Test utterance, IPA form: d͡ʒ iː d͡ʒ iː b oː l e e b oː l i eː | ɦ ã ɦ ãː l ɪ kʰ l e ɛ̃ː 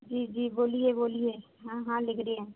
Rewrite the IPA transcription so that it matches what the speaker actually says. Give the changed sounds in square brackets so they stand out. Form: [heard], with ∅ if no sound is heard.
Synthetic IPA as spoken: d͡ʒ iː d͡ʒ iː b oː l [i] e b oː l i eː | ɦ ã ɦ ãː l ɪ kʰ [ɾ] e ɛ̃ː